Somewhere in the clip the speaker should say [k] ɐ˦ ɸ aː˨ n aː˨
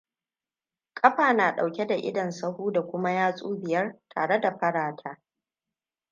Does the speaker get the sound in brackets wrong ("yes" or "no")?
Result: yes